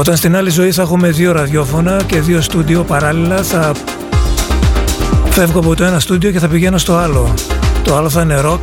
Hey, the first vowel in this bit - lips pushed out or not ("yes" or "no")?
yes